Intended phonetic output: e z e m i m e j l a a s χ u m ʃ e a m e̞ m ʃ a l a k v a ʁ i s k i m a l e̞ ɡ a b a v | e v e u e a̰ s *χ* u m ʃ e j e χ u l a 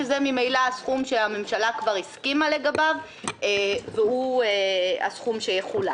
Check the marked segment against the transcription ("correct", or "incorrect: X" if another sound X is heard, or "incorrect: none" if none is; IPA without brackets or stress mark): correct